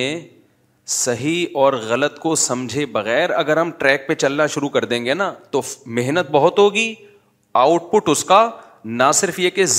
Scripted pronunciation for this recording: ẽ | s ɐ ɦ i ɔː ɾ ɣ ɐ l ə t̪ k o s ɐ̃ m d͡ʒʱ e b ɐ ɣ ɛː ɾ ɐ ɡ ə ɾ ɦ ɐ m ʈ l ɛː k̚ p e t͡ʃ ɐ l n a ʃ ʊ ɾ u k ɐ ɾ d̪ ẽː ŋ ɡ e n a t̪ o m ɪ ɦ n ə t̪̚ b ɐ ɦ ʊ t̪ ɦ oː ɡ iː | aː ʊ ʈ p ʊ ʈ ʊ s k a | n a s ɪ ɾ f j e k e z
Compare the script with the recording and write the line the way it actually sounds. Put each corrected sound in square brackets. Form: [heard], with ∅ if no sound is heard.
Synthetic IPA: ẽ | s ɐ ɦ i ɔː ɾ ɣ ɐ l ə t̪ k o s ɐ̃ m d͡ʒʱ e b ɐ ɣ ɛː ɾ ɐ ɡ ə ɾ ɦ ɐ m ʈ [ɾ] ɛː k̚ p e t͡ʃ ɐ l n a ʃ ʊ ɾ u k ɐ ɾ d̪ ẽː ŋ ɡ e n a t̪ o m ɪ ɦ n ə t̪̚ b ɐ ɦ ʊ t̪ ɦ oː ɡ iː | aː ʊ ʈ p ʊ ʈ ʊ s k a | n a s ɪ ɾ f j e k e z